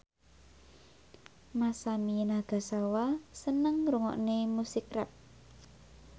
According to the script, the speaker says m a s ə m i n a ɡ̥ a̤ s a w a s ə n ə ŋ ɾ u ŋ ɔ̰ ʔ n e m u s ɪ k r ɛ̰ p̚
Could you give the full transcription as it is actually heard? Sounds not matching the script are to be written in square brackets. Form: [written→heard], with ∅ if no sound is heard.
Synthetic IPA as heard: m a s [ə→a] m i n a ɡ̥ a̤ s a w a s ə n ə ŋ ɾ u ŋ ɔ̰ ʔ n e m u s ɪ k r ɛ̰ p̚